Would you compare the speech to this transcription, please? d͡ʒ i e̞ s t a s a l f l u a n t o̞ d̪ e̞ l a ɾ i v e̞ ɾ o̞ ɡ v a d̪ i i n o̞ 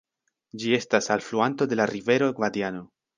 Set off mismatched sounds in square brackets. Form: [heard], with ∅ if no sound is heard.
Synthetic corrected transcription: d͡ʒ i e̞ s t a s a l f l u a n t o̞ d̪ e̞ l a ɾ i v e̞ ɾ o̞ ɡ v a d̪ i [a] n o̞